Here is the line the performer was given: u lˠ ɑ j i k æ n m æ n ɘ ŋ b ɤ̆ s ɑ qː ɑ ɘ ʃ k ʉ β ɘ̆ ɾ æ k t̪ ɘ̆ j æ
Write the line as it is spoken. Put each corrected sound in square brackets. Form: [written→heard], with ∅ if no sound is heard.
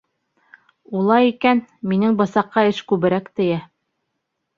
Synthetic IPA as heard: u lˠ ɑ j i k æ n m [æ→i] n ɘ ŋ b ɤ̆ s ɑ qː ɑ ɘ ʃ k ʉ β ɘ̆ ɾ æ k t̪ ɘ̆ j æ